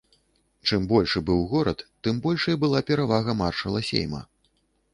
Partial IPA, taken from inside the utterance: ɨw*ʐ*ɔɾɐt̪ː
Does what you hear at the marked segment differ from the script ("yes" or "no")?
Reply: yes